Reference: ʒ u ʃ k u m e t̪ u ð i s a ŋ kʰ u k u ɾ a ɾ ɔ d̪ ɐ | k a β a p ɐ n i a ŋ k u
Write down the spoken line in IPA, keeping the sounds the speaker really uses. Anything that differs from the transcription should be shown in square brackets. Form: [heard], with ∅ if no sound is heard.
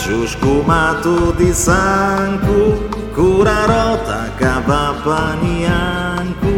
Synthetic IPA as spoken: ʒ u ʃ k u m [a] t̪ u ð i s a ŋ [k] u k u ɾ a ɾ ɔ [t̪] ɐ | k a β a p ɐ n i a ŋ k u